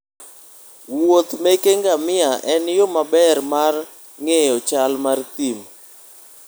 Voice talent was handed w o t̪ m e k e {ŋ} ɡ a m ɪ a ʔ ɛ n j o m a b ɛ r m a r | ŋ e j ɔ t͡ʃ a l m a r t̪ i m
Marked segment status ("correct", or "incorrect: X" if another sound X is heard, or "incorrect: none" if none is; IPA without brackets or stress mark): correct